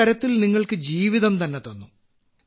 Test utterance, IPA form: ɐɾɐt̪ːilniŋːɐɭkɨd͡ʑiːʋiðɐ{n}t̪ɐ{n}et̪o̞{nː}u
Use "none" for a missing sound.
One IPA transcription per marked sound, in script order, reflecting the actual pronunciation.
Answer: m, nː, nː

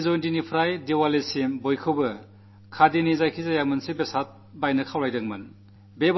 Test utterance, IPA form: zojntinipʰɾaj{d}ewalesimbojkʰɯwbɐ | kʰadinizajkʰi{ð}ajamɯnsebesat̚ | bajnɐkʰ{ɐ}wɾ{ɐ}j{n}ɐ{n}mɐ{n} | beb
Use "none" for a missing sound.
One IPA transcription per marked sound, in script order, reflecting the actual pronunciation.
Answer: d, z, a, a, d, ŋ, n

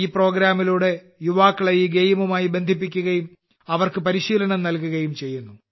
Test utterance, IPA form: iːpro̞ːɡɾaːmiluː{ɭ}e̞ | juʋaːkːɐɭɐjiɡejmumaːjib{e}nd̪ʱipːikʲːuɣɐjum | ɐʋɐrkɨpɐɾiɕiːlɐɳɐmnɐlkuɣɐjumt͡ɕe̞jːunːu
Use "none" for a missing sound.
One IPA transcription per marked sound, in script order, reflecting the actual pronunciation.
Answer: ɽ, e

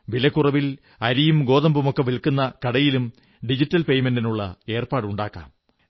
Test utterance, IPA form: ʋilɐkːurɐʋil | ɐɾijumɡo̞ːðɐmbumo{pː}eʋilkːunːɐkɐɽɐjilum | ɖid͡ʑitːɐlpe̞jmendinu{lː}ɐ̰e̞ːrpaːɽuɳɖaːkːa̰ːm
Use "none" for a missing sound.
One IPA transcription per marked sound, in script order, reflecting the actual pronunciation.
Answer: kː, ɭː

